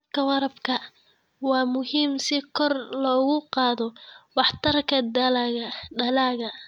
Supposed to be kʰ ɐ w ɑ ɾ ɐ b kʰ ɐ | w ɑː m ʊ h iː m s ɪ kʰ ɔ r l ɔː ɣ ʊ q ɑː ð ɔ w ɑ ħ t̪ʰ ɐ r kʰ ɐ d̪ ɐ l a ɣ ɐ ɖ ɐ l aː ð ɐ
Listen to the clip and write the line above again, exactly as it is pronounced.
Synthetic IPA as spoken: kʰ ɐ w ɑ ɾ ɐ b kʰ ɐ | w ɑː m ʊ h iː m s ɪ kʰ ɔ r l ɔː ɣ ʊ q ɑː ð ɔ w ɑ ħ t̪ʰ ɐ r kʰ ɐ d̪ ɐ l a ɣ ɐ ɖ ɐ l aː ɣ ɐ